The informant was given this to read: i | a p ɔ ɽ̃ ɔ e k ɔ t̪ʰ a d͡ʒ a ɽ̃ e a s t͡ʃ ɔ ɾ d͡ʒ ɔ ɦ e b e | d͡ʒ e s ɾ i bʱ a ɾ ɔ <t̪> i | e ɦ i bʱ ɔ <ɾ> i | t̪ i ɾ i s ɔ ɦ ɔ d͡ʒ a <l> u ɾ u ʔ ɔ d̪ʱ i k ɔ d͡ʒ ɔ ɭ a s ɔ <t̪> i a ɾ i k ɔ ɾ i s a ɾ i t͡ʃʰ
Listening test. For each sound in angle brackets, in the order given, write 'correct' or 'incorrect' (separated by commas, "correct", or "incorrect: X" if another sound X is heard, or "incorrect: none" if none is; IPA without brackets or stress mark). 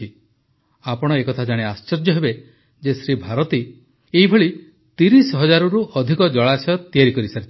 correct, incorrect: ɭ, incorrect: ɾ, correct